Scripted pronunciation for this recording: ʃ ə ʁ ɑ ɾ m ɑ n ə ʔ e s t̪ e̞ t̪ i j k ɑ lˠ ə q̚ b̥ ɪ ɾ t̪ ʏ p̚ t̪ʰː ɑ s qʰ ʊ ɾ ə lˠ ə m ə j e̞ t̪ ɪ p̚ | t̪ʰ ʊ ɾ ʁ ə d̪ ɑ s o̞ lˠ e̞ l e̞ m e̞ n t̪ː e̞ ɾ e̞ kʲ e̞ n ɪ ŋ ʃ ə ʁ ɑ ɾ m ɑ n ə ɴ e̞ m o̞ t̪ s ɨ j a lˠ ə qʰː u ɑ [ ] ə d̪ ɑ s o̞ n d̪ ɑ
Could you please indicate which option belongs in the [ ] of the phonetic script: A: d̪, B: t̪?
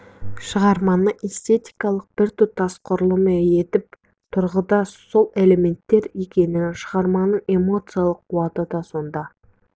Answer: B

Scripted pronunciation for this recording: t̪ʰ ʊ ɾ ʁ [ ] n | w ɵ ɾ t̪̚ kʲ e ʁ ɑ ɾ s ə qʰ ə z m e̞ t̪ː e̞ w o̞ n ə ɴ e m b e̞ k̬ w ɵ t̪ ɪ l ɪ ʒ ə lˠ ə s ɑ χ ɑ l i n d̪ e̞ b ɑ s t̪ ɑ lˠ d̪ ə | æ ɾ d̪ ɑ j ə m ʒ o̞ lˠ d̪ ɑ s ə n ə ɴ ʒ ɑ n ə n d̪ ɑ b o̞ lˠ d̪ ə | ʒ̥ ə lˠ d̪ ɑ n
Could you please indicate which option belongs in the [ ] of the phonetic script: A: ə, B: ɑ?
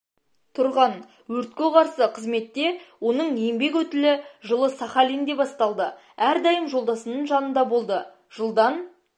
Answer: B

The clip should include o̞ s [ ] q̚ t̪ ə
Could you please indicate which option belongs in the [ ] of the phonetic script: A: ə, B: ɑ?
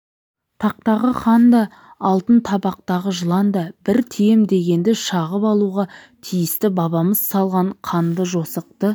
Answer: A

